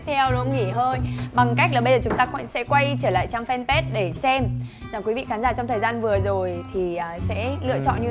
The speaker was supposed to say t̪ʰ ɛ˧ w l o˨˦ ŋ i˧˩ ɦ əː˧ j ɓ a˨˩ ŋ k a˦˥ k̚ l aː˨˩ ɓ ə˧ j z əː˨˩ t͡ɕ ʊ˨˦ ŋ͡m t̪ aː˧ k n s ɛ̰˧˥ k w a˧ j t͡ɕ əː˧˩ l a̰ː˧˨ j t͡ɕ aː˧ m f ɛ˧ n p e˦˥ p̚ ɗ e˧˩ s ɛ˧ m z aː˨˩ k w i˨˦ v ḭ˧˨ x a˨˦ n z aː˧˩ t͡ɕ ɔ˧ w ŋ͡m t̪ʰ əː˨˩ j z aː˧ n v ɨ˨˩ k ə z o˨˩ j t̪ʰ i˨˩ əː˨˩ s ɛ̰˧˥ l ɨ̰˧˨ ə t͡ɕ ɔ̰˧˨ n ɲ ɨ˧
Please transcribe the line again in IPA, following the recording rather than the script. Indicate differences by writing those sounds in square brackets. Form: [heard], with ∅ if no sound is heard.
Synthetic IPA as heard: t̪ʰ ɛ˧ w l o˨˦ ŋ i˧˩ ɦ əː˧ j ɓ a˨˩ ŋ k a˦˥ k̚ l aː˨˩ ɓ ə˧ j z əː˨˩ t͡ɕ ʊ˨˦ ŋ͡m t̪ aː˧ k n s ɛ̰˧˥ k w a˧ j t͡ɕ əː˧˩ l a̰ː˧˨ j t͡ɕ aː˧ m f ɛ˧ n p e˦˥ [t̚] ɗ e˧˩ s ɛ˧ m z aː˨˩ k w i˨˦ v ḭ˧˨ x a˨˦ n z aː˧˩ t͡ɕ ɔ˧ w ŋ͡m t̪ʰ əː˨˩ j z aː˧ n v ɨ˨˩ [∅] ə z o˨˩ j t̪ʰ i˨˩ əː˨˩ s ɛ̰˧˥ l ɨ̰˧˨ ə t͡ɕ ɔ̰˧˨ n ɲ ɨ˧

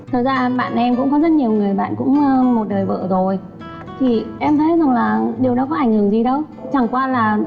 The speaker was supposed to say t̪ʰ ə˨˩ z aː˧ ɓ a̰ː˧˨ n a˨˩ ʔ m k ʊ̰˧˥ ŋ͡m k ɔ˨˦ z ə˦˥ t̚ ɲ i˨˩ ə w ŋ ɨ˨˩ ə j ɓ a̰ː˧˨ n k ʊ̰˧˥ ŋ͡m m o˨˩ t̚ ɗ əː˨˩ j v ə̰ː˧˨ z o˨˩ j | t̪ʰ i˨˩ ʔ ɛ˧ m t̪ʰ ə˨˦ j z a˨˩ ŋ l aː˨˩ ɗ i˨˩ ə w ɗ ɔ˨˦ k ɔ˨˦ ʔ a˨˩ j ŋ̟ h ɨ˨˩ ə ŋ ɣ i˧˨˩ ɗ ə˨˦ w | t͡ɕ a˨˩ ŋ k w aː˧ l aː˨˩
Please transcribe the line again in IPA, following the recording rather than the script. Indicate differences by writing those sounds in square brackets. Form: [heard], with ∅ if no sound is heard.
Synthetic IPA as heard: t̪ʰ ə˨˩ z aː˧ ɓ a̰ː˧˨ n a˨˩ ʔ m k ʊ̰˧˥ ŋ͡m k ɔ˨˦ z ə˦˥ t̚ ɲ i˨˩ ə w ŋ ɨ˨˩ ə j ɓ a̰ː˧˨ n k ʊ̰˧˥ ŋ͡m m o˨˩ t̚ ɗ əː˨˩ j v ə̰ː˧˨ z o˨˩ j | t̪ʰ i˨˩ ʔ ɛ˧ m t̪ʰ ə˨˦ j z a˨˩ ŋ l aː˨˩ ɗ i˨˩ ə w ɗ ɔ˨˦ k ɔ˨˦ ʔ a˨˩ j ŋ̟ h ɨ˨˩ ə ŋ [z] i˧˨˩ ɗ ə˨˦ w | t͡ɕ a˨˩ ŋ k w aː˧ l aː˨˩

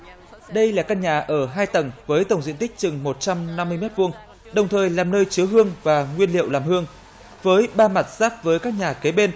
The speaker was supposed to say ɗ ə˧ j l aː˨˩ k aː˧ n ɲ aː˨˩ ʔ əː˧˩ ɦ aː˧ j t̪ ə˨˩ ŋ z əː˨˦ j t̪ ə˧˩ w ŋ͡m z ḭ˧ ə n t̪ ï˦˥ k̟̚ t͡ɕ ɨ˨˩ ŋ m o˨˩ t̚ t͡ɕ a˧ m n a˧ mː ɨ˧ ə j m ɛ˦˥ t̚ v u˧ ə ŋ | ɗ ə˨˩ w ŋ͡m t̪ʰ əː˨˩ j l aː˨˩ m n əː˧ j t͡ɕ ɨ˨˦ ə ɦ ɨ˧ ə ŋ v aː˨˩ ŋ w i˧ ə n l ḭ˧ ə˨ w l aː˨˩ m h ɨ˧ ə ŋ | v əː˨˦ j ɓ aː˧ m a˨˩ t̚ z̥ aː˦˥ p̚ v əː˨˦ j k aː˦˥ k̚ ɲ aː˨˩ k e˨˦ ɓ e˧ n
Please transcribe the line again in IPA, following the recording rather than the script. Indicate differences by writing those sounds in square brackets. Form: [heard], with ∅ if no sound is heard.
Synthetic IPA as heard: ɗ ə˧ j l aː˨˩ k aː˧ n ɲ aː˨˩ ʔ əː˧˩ ɦ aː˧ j t̪ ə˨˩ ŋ [v] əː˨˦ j t̪ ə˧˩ w ŋ͡m z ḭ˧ ə n t̪ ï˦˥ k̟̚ t͡ɕ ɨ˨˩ ŋ m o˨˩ t̚ t͡ɕ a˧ m n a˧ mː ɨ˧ ə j m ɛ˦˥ t̚ v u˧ ə ŋ | ɗ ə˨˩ w ŋ͡m t̪ʰ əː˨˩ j l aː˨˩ m n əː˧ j t͡ɕ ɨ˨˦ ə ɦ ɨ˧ ə ŋ v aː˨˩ ŋ w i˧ ə n l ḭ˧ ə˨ w l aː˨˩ m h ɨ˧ ə ŋ | v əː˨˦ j ɓ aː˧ m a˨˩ t̚ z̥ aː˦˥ p̚ v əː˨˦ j k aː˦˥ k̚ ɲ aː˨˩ k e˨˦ ɓ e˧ n

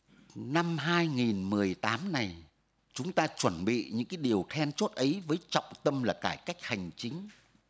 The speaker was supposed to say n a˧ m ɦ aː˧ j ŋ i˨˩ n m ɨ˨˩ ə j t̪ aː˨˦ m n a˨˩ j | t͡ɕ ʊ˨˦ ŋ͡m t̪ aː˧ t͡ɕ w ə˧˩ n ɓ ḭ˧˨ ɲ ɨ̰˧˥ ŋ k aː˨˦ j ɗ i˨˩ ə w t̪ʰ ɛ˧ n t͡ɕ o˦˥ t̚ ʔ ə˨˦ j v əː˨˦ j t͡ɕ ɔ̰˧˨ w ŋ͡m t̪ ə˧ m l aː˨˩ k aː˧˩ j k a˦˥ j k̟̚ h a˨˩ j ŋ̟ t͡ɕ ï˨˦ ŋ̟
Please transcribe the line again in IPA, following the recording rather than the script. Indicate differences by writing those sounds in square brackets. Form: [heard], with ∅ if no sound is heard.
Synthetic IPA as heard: n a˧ m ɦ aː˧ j ŋ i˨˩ n m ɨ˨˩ ə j t̪ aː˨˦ m n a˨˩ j | t͡ɕ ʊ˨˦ ŋ͡m t̪ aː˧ t͡ɕ w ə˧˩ n ɓ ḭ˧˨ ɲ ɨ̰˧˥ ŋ k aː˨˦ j ɗ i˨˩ ə w t̪ʰ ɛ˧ n t͡ɕ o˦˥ t̚ ʔ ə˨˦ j v əː˨˦ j t͡ɕ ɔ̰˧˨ w ŋ͡m t̪ ə˧ m l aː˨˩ k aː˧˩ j k a˦˥ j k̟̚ h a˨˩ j ŋ̟ t͡ɕ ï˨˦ ŋ̟

